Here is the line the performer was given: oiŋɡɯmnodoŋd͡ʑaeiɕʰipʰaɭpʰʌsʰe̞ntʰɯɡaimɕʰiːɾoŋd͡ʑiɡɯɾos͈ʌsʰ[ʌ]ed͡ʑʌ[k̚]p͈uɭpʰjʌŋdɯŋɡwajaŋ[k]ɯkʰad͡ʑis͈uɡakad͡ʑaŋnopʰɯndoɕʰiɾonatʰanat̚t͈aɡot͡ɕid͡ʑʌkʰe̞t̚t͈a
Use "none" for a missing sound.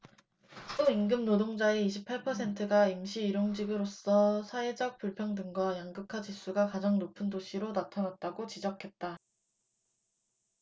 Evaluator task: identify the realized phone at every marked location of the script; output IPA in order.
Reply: a, k̚, ɡ

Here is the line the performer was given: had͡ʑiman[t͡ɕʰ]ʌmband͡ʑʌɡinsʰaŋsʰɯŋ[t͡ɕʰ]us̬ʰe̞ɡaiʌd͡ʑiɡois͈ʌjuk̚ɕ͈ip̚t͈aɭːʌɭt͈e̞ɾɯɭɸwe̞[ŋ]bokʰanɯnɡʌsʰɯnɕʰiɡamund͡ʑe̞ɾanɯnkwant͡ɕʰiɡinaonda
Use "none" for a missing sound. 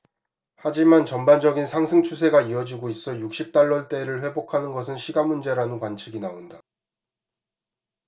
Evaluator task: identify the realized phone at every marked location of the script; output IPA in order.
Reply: t͡ɕ, t͡ɕʰ, none

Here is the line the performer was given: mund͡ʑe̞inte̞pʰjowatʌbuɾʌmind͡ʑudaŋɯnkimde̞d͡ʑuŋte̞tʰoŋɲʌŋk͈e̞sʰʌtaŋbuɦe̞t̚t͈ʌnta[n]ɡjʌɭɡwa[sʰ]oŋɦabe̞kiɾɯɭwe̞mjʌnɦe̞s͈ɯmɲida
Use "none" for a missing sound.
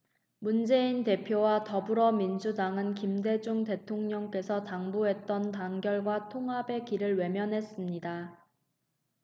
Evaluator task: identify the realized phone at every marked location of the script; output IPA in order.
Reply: ŋ, tʰ

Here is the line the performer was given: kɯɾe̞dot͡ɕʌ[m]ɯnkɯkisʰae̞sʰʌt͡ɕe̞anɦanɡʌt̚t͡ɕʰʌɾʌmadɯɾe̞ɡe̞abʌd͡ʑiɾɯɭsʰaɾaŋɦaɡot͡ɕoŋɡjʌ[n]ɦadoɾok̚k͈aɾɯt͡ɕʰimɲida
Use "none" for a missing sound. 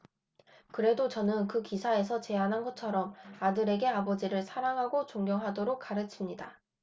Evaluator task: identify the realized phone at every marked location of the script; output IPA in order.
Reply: n, ŋ

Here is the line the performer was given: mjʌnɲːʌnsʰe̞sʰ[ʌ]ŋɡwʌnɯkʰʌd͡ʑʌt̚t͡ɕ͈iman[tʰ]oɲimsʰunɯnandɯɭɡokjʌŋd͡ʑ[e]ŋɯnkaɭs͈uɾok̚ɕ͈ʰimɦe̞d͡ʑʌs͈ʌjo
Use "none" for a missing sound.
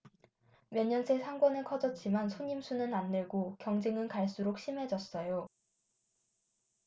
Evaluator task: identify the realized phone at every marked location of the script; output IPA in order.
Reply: a, sʰ, e

